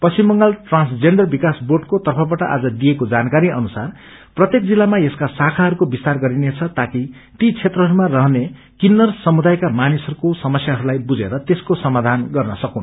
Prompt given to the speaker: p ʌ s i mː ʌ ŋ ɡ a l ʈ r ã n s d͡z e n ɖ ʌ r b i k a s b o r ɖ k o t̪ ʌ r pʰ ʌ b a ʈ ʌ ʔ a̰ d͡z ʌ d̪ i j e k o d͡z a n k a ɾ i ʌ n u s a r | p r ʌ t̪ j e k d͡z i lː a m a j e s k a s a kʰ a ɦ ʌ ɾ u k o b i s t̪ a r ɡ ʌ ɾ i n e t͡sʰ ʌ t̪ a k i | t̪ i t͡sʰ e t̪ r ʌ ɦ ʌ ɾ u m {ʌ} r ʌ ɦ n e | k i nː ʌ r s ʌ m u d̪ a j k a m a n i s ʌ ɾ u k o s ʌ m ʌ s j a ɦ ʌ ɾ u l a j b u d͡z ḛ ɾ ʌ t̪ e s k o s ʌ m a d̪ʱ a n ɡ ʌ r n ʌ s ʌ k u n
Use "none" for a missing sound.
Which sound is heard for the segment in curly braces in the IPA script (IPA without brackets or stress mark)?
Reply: a